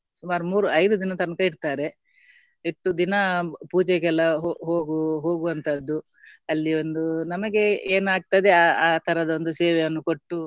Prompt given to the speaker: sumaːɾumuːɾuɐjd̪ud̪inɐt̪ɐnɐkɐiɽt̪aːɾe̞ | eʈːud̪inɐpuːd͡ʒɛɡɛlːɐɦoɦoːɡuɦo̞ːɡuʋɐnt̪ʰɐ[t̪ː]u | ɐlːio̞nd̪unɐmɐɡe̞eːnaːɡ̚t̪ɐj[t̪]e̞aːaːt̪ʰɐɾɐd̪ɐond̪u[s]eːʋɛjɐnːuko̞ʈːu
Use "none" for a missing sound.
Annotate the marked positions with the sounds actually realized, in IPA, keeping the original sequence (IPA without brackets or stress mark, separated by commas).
d̪ː, d̪, s